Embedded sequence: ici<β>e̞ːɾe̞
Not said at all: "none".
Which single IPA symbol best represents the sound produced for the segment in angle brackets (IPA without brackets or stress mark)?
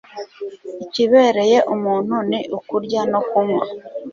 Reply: β